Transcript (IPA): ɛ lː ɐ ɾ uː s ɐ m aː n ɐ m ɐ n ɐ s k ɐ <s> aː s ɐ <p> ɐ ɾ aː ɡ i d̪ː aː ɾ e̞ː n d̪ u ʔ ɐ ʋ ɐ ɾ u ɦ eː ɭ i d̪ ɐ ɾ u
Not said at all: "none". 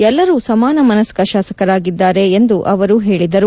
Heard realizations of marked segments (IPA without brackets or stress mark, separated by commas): ʃ, k